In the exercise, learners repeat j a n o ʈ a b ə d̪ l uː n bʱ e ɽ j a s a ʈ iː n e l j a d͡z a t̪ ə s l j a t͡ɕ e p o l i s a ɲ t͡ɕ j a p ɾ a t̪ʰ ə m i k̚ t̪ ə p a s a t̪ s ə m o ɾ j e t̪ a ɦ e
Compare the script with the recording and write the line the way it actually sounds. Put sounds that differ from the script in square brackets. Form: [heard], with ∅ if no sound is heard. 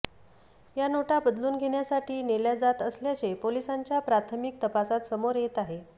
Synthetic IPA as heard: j a n o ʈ a b ə d̪ l uː n [ɡʱ] e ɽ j a s a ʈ iː n e l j a d͡z a t̪ ə s l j a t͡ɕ e p o l i s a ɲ t͡ɕ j a p ɾ a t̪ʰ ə m i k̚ t̪ ə p a s a t̪ s ə m o ɾ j e t̪ a ɦ e